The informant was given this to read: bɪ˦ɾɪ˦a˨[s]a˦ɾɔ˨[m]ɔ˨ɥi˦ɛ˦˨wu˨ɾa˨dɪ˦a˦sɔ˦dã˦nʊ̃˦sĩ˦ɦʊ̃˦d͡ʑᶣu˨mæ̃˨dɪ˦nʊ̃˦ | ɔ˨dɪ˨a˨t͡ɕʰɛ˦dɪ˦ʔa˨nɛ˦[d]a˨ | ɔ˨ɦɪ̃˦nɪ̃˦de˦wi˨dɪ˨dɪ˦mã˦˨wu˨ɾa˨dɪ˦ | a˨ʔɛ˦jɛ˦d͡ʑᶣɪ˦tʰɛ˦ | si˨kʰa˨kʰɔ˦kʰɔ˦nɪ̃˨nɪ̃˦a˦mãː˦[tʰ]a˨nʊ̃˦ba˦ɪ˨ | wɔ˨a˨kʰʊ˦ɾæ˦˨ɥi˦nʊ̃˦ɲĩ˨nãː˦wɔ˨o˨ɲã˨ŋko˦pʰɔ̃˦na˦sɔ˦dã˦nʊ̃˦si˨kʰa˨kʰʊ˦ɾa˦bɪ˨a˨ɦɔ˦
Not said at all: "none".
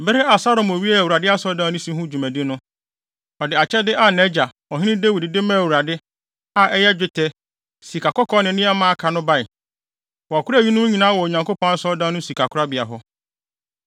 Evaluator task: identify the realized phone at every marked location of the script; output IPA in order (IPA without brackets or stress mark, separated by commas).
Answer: s, m, d͡ʑ, kʰ